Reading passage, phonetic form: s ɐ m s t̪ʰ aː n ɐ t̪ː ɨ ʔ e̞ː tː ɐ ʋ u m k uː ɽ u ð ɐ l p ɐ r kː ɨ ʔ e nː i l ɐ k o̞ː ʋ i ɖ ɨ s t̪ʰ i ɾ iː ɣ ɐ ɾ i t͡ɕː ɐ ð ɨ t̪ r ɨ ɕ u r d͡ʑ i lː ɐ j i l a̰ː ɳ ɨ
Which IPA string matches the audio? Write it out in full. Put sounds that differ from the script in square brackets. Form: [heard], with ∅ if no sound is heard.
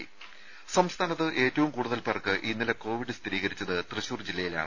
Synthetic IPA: s ɐ m s t̪ʰ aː n ɐ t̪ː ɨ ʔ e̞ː tː ɐ ʋ u m k uː ɽ u ð ɐ l p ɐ r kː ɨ ʔ [i] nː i l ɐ k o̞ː ʋ i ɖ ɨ s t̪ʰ i ɾ iː ɣ ɐ ɾ i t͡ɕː ɐ ð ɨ t̪ r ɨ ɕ [uː] r d͡ʑ i lː ɐ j i l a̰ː ɳ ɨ